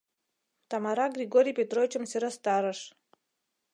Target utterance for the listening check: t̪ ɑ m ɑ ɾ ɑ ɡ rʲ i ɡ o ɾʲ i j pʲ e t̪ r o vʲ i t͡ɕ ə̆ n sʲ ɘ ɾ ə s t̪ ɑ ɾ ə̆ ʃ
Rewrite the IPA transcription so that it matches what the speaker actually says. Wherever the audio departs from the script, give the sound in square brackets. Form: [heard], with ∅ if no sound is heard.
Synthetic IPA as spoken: t̪ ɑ m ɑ ɾ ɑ ɡ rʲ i ɡ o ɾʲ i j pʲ e t̪ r o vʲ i t͡ɕ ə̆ [m] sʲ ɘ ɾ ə s t̪ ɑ ɾ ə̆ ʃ